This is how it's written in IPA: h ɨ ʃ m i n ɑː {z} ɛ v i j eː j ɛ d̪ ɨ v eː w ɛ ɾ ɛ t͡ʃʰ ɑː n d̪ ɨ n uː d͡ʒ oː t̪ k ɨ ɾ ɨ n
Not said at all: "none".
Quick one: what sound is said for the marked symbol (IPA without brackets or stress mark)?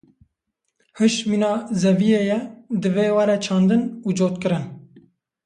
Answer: z